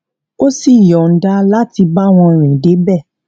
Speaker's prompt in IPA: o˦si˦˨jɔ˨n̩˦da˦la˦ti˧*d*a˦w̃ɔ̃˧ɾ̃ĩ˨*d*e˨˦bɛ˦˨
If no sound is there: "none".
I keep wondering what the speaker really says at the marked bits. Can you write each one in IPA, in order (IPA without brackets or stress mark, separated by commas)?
b, d